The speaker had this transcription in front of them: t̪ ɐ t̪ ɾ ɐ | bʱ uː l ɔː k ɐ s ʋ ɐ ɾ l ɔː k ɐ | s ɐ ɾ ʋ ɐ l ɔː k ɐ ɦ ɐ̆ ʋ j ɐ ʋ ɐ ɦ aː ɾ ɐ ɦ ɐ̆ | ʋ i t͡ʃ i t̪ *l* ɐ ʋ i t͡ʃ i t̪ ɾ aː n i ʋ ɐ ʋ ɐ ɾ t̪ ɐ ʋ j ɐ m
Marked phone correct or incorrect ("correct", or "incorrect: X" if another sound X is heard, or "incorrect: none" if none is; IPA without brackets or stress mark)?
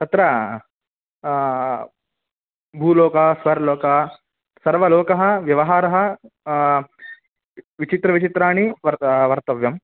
incorrect: ɾ